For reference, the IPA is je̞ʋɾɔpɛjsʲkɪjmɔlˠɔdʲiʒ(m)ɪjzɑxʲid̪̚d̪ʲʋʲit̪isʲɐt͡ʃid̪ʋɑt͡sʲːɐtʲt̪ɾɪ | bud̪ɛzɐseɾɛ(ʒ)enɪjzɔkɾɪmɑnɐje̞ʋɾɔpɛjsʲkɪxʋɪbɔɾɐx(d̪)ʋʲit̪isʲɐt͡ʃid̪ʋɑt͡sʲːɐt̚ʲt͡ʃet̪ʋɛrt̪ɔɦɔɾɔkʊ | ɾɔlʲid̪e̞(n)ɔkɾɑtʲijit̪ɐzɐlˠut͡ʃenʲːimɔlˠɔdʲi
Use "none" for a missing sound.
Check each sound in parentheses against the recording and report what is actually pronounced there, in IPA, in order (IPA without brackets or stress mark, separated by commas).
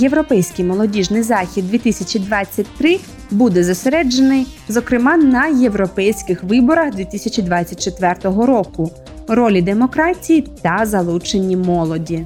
n, d͡ʒ, d̪, m